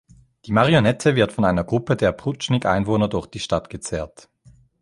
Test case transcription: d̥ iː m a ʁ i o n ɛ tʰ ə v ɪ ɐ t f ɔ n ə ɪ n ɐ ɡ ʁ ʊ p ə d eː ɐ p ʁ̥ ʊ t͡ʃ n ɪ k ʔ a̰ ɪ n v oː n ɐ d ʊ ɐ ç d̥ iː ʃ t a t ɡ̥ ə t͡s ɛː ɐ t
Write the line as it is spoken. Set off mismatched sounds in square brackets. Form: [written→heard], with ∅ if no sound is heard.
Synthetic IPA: d̥ iː m a ʁ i o n ɛ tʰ ə v ɪ ɐ t f ɔ n [ə→a] ɪ n ɐ ɡ ʁ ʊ p ə d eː ɐ p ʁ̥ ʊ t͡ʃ n ɪ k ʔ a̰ ɪ n v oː n ɐ d ʊ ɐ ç d̥ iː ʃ t a t ɡ̥ ə t͡s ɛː ɐ t